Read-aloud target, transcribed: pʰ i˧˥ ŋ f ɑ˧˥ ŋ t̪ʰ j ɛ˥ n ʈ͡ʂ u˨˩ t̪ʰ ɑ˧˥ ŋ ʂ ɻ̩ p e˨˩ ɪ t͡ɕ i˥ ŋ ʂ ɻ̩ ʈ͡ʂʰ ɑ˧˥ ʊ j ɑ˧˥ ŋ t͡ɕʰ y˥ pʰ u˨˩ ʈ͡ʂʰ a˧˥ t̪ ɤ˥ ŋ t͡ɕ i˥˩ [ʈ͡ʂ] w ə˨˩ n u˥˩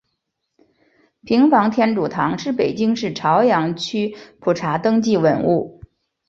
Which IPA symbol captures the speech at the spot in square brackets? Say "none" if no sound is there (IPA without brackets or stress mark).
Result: none